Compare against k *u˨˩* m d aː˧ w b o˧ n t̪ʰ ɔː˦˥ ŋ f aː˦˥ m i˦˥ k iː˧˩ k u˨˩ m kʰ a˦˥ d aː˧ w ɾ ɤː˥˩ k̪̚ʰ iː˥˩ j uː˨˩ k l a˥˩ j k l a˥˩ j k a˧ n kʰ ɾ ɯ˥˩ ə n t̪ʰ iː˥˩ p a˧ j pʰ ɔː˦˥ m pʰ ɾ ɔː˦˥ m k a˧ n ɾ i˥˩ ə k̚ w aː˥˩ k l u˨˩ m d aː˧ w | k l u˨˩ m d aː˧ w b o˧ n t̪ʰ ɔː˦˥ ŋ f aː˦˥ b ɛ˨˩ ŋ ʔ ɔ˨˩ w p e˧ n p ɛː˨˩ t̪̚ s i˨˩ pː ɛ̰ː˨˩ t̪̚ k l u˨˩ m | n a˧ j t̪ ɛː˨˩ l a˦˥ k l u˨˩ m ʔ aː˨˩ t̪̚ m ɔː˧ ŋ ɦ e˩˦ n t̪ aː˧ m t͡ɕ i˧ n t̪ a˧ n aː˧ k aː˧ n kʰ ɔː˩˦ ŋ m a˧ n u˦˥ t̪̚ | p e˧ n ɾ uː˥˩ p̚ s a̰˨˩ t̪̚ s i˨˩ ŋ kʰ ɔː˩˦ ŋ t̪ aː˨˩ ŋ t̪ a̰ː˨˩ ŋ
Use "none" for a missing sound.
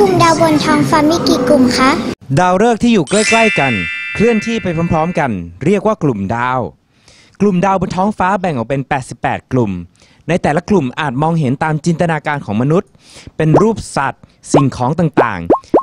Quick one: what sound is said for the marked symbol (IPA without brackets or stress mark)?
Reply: u˨˩